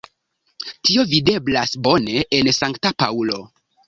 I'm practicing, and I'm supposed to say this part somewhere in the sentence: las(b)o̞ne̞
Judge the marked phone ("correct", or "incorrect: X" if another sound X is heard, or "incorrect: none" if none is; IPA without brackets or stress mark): correct